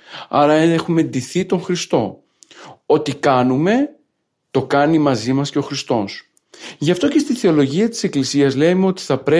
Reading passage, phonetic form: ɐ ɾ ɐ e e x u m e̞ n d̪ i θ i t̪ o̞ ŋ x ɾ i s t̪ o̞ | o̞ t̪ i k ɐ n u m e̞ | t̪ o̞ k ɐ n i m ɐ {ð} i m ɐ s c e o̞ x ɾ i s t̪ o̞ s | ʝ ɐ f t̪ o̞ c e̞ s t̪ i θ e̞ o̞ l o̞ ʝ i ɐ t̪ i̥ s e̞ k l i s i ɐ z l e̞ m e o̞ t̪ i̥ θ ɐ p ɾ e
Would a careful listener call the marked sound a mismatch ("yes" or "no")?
yes